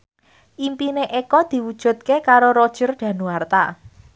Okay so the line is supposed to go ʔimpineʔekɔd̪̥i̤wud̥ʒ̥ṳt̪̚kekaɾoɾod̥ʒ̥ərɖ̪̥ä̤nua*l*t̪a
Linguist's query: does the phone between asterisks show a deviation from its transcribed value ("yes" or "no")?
yes